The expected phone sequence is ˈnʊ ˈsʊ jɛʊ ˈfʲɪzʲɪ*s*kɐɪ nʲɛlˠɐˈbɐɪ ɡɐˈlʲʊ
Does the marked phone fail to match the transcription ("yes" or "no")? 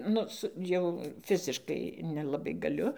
yes